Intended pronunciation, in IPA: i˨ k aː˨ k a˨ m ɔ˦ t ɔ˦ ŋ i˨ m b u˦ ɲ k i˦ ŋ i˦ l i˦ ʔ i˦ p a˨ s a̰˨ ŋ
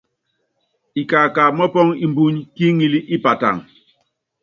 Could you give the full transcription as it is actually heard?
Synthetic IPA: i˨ k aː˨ k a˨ m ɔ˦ p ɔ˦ ŋ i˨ m b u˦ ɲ k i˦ ŋ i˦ l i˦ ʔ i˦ p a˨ t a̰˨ ŋ